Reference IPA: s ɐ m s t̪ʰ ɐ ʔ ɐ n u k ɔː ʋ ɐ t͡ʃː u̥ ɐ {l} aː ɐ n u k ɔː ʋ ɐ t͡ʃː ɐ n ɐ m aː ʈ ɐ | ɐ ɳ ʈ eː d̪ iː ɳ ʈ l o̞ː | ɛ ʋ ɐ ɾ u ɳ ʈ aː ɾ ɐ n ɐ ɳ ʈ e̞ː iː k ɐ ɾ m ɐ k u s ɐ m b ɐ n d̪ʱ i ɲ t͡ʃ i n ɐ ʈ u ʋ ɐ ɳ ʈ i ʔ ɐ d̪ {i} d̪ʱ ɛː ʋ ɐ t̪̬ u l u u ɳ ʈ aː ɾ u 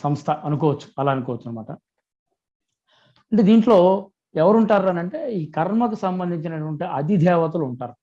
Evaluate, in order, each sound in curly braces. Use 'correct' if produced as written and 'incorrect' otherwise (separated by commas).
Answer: correct, correct